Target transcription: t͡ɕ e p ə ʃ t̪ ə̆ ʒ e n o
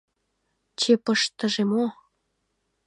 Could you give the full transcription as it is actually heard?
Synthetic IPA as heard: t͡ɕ e p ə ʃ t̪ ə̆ ʒ e m o